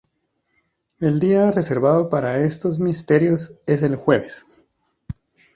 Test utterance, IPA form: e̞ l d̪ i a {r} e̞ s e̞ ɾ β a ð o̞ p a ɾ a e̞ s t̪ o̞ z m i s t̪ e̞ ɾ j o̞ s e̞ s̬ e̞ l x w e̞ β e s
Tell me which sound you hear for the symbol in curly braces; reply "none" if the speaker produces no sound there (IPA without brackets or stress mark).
r